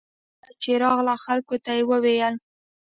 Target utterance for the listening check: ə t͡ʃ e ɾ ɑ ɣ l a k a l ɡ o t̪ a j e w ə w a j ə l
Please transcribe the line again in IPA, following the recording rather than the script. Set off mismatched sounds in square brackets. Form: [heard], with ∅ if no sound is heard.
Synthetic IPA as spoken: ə t͡ʃ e ɾ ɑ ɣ l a [x] a l [k] o t̪ a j e w ə w [e] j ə l